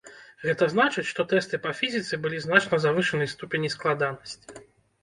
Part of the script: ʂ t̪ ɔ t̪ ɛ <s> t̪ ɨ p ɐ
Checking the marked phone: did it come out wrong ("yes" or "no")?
no